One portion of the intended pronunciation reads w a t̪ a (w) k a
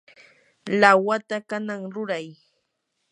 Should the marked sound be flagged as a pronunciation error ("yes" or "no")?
yes